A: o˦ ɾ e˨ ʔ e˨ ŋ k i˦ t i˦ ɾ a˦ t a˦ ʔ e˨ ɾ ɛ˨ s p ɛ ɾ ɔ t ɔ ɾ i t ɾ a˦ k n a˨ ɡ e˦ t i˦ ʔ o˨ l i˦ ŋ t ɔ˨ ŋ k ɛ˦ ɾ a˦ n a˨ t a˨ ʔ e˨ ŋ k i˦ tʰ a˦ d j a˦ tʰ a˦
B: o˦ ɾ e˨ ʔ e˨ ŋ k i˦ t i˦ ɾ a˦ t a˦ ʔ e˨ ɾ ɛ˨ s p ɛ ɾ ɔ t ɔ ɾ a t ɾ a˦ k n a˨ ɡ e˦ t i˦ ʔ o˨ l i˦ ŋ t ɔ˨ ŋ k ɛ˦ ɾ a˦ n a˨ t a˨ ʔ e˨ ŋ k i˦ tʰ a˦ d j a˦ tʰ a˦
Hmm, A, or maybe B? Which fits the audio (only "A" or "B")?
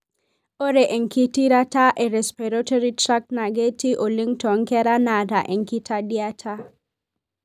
A